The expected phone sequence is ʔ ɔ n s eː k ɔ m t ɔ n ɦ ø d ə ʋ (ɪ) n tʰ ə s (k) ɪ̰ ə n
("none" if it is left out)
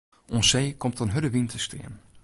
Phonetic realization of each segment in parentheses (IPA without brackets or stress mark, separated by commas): i, t